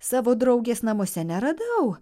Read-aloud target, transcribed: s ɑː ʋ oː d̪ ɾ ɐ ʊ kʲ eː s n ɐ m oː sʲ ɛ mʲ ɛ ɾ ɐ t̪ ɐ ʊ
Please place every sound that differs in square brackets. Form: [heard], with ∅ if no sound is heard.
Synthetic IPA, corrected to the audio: s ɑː ʋ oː d̪ ɾ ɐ ʊ [ɡʲ] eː s n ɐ m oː sʲ ɛ [nʲ] ɛ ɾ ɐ [d̪] ɐ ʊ